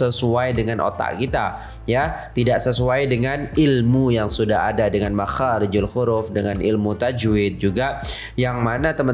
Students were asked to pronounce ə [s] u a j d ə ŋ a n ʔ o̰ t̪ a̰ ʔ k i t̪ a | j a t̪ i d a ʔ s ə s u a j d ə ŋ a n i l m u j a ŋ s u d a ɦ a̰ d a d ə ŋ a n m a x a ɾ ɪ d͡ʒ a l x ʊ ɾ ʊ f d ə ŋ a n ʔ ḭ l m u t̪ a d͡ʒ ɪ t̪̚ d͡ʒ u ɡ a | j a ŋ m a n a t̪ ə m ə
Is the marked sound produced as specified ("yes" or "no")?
yes